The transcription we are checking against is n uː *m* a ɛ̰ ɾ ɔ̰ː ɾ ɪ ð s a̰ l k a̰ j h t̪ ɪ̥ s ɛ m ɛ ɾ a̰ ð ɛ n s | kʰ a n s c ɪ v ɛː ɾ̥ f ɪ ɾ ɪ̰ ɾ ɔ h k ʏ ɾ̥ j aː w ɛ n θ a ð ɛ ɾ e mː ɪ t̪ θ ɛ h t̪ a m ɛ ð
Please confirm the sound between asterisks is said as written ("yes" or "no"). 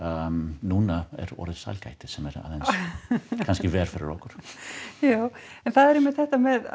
no